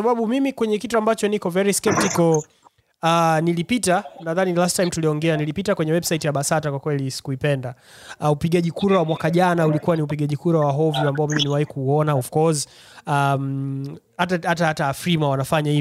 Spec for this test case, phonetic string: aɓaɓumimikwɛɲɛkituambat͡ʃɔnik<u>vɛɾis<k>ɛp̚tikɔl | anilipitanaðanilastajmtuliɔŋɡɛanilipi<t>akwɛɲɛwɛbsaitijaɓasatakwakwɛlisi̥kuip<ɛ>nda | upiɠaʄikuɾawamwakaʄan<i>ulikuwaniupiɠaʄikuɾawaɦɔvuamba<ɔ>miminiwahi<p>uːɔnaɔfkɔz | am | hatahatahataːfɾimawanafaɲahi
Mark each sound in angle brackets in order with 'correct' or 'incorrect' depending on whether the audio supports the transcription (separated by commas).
incorrect, correct, correct, correct, incorrect, correct, incorrect